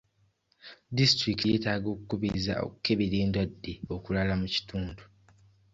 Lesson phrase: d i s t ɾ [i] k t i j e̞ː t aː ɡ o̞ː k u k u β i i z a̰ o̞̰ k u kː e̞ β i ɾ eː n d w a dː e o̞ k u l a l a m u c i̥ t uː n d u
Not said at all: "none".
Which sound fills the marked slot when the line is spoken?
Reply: i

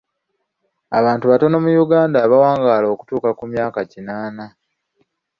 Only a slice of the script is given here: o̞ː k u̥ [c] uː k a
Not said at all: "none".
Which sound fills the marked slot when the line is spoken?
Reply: t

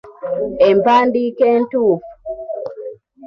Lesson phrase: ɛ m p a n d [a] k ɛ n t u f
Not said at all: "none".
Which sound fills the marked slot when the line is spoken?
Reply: i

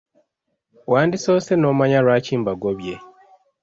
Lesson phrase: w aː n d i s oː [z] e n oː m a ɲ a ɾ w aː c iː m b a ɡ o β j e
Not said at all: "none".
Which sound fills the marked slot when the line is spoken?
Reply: s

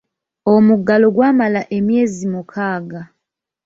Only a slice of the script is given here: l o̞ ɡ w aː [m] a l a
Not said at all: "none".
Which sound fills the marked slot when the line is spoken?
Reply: m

